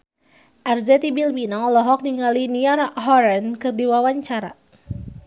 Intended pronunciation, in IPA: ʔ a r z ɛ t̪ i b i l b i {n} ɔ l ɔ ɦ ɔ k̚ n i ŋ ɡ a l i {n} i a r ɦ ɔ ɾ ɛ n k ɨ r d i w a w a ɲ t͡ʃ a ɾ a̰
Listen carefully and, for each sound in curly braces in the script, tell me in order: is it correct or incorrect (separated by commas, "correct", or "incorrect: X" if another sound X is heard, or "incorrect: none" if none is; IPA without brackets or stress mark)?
correct, correct